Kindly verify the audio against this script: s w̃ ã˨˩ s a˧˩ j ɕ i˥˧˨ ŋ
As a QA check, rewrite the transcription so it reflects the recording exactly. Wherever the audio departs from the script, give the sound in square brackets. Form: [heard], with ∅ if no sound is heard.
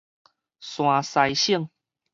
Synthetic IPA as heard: s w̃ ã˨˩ s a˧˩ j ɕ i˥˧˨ ŋ